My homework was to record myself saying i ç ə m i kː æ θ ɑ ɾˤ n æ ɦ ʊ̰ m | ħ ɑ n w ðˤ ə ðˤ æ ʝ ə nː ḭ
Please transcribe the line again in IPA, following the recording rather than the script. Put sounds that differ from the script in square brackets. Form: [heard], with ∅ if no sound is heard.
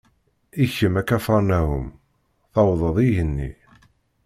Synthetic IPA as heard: i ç ə m [æ] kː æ [f] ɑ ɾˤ n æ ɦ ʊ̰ m | [θ] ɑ [∅] w ðˤ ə ðˤ [i] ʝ ə nː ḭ